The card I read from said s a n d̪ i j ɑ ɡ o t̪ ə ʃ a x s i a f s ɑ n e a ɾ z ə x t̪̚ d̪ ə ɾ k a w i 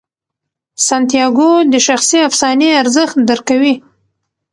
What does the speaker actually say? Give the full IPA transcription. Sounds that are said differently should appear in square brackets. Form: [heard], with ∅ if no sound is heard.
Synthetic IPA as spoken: s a n [t̪] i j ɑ ɡ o [d̪] ə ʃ a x s i a f s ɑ n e a ɾ z ə x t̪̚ d̪ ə ɾ k a w i